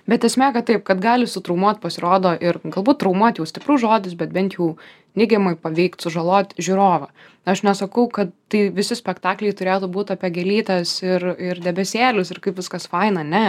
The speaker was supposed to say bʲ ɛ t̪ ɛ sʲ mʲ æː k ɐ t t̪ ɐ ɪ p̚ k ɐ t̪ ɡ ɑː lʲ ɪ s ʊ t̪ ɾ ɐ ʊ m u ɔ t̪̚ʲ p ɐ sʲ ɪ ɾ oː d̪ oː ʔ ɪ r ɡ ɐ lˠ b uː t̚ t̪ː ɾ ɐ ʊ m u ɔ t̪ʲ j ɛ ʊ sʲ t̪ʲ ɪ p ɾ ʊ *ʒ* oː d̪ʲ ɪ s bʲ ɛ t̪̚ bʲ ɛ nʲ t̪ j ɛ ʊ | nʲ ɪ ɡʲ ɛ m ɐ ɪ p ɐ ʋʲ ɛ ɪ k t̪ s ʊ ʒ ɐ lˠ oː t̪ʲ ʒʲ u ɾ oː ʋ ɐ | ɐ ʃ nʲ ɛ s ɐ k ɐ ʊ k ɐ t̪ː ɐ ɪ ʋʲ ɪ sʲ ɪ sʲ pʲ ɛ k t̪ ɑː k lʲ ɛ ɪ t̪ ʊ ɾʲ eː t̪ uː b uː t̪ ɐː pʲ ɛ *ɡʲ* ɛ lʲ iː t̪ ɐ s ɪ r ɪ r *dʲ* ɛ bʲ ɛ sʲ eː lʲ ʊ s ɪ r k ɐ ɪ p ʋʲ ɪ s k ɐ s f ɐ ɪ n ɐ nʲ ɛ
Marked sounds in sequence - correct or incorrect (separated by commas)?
correct, correct, correct